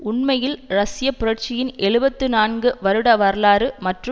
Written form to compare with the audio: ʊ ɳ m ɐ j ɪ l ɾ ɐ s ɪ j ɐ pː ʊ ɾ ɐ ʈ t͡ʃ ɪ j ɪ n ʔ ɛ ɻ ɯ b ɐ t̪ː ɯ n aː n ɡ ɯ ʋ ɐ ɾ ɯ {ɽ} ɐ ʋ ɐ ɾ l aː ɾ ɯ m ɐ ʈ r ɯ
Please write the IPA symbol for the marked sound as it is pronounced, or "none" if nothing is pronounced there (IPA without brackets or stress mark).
ɽ